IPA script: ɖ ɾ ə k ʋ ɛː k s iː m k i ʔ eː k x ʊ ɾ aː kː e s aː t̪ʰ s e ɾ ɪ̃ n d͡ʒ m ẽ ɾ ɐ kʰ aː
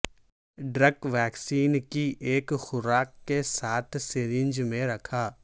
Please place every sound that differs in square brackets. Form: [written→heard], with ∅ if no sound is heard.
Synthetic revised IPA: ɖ ɾ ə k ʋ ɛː k s iː [m→n] k i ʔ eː k x ʊ ɾ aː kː e s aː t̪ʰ s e ɾ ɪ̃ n d͡ʒ m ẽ ɾ ɐ kʰ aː